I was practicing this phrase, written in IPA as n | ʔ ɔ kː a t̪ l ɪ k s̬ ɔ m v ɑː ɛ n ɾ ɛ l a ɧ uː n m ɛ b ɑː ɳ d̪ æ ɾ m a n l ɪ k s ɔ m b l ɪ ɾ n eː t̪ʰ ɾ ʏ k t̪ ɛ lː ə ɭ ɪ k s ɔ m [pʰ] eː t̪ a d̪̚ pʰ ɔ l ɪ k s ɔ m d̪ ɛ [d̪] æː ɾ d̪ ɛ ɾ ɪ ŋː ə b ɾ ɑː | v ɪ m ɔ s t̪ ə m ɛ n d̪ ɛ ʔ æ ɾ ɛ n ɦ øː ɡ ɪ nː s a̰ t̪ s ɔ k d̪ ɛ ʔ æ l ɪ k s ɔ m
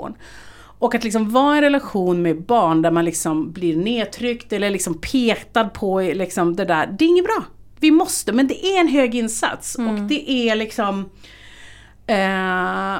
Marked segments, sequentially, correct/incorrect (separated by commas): correct, correct